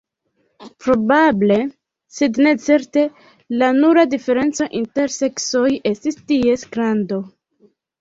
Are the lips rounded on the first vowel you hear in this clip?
yes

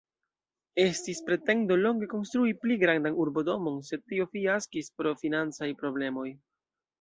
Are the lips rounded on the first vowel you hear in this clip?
no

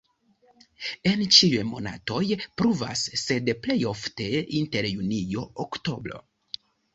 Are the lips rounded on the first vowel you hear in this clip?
no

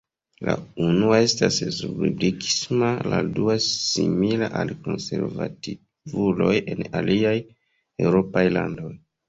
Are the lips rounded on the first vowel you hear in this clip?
no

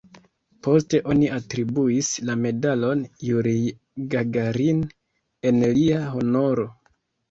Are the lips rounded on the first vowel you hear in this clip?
yes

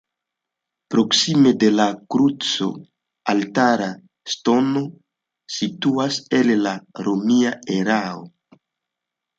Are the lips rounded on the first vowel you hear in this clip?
yes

